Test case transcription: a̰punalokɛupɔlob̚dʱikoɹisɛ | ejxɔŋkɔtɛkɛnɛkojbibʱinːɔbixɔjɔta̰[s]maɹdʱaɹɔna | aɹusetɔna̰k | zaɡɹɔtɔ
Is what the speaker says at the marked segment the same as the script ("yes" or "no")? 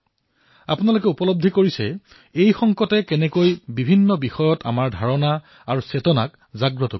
no